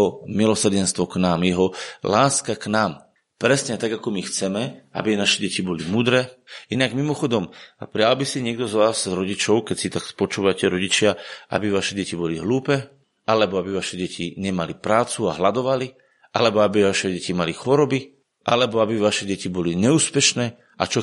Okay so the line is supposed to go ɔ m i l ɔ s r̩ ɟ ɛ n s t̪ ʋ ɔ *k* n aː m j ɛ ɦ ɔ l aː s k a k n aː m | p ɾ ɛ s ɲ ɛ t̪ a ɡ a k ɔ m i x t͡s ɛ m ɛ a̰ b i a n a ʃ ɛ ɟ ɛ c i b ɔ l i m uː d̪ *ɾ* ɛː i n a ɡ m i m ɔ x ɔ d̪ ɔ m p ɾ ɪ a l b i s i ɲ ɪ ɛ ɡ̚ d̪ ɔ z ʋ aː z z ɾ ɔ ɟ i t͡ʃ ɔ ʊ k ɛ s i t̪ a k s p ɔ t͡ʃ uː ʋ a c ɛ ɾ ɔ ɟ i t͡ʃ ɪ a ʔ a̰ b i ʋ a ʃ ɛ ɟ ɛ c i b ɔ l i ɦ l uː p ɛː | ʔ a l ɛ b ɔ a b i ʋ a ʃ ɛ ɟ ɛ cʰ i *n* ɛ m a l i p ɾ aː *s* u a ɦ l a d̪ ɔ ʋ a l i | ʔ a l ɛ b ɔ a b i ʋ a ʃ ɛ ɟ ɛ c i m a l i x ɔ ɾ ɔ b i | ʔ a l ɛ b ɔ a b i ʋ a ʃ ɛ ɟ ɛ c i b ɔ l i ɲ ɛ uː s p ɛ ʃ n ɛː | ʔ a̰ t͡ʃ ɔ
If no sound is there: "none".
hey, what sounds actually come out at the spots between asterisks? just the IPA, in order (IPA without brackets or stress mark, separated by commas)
k, ɾ, ɲ, t͡s